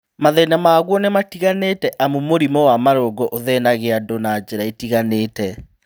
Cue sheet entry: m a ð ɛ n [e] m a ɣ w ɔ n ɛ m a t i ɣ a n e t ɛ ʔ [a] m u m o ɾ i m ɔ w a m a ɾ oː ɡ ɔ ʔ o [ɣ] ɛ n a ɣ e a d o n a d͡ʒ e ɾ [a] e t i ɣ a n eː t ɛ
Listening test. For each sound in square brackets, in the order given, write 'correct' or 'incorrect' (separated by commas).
incorrect, correct, incorrect, correct